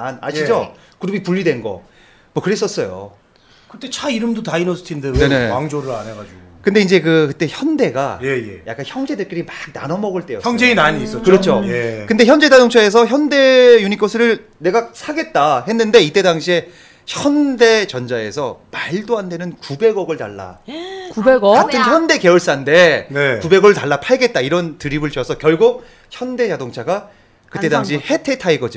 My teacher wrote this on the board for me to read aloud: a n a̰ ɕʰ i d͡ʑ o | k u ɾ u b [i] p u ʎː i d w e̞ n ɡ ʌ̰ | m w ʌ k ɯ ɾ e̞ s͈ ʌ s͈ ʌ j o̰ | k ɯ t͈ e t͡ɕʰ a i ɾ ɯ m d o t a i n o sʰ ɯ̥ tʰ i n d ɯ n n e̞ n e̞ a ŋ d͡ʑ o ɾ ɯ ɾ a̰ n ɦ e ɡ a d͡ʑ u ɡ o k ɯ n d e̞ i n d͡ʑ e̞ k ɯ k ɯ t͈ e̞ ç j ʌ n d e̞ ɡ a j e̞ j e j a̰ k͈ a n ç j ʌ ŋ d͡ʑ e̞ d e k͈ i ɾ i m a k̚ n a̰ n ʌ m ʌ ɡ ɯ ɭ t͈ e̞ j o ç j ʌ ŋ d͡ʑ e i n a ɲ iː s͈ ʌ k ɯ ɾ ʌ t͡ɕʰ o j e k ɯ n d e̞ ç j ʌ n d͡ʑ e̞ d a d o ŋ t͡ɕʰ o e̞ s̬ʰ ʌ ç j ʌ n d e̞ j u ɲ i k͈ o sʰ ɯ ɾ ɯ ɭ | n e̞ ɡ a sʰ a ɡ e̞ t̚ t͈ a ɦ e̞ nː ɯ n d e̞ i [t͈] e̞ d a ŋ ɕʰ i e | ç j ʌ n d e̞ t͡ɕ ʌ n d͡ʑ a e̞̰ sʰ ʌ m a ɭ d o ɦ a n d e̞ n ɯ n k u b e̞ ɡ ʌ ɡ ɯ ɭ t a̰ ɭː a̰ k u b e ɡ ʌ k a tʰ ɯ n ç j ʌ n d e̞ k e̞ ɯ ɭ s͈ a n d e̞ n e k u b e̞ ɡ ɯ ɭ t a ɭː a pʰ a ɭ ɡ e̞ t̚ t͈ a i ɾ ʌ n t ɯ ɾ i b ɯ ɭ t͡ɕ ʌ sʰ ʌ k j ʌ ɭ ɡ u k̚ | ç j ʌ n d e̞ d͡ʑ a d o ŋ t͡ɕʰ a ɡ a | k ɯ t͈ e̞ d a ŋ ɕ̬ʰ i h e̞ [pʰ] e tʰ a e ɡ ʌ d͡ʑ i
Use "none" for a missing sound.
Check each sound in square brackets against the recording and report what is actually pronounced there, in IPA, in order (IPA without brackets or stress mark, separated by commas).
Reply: i, t͈, tʰ